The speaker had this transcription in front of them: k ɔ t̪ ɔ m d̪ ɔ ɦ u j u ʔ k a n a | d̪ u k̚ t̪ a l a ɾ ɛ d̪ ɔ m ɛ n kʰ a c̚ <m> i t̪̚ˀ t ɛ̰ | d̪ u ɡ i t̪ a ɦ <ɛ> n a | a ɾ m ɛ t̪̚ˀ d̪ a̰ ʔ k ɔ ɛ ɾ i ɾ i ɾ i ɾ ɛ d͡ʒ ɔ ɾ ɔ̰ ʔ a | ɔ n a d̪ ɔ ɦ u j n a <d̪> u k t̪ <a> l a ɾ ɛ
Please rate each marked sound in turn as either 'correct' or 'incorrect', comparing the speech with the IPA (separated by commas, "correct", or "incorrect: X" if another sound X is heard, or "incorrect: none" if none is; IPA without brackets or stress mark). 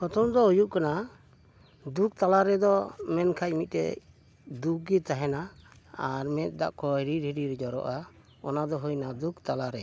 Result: correct, correct, correct, correct